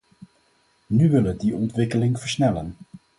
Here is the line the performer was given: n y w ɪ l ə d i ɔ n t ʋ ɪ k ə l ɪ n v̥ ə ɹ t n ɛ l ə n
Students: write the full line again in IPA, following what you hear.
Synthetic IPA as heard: n y ʋ ɪ l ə d i ɔ n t ʋ ɪ k ə l ɪ ŋ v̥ ə ɹ s n ɛ l ə n